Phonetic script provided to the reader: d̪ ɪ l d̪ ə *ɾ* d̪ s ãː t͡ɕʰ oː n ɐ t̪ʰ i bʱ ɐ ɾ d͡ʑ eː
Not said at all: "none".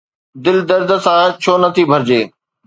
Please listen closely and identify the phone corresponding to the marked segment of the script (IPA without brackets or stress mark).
ɾ